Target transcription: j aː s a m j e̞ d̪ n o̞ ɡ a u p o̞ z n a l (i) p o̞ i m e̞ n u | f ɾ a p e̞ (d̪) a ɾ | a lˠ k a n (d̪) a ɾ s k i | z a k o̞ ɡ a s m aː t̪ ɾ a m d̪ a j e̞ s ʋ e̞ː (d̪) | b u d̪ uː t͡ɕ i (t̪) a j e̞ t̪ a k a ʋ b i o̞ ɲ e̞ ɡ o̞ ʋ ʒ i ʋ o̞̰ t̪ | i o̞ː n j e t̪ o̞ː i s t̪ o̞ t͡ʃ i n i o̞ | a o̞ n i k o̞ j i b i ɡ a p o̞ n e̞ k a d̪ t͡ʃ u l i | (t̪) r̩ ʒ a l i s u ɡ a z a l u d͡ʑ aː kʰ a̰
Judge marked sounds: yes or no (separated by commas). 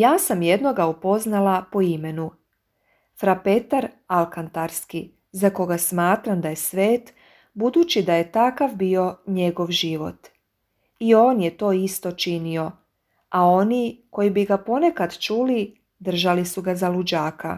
no, no, no, no, no, no